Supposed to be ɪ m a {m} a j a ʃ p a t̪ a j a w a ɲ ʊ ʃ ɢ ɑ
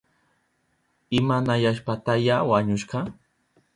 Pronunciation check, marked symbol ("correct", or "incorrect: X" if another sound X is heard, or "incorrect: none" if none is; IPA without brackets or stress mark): incorrect: n